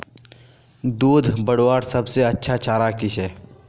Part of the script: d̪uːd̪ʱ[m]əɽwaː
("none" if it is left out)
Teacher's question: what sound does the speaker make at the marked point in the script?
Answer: b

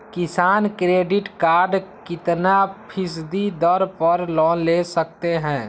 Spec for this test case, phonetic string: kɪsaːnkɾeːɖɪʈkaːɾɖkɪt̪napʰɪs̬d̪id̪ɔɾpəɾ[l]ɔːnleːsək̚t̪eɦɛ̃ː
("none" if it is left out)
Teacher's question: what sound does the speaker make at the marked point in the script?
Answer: l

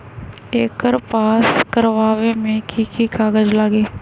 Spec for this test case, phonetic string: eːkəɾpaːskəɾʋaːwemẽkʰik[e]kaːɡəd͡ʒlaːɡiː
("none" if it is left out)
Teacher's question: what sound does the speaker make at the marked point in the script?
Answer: i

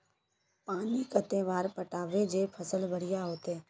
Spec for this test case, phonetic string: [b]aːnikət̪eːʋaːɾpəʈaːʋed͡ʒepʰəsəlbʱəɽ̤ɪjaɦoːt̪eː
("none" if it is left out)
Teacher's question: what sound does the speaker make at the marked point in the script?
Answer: p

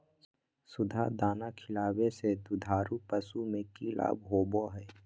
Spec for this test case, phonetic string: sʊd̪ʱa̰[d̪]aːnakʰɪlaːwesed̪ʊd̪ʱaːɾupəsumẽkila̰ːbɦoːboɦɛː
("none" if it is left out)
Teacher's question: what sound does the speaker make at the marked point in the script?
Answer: d̪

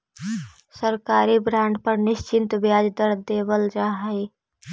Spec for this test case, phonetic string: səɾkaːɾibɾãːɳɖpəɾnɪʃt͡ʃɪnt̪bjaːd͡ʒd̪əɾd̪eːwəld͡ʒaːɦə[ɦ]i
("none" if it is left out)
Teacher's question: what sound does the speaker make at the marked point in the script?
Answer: none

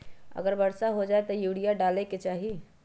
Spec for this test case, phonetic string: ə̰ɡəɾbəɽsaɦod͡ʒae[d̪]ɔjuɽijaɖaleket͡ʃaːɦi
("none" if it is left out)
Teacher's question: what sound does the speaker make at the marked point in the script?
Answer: t̪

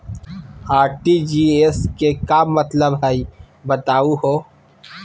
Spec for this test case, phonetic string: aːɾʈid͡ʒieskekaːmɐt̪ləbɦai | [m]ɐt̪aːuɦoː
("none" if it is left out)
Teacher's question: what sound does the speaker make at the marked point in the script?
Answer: b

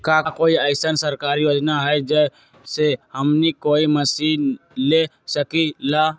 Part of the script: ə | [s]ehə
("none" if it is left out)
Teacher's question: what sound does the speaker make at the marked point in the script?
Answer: s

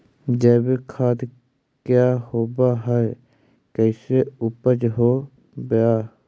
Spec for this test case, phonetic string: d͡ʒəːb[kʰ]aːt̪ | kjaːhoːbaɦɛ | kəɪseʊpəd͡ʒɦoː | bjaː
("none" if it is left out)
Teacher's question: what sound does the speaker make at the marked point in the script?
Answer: kʰ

